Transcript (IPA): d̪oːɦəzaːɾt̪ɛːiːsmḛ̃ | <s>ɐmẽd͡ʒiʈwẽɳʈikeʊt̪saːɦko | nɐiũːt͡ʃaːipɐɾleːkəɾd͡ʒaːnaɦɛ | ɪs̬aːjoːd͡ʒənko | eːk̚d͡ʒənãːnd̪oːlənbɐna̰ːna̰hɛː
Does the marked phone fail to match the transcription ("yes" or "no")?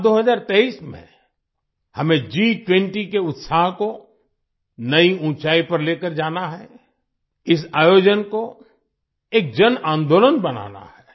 yes